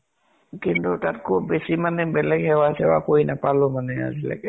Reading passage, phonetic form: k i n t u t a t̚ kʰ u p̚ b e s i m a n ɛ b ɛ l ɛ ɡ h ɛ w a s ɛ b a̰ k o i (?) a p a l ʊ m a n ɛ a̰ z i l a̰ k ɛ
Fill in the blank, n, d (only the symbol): n